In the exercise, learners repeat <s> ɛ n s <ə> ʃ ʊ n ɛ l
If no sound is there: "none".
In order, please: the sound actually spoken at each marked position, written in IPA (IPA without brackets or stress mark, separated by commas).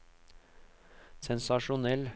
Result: s, ɑ